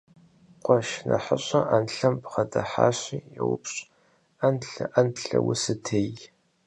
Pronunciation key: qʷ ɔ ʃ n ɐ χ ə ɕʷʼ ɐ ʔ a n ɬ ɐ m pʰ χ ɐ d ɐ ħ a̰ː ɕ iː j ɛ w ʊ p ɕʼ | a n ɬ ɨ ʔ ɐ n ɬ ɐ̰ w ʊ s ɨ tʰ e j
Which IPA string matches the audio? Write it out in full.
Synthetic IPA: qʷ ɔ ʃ n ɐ ħ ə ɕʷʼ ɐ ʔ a n ɬ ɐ m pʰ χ ɐ d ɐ ħ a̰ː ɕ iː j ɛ w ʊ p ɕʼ | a n ɬ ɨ ʔ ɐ n ɬ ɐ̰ w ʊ s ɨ tʰ e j